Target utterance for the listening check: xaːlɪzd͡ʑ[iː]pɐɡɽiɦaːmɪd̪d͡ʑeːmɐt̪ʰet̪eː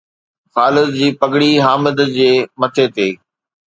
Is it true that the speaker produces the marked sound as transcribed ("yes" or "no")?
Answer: yes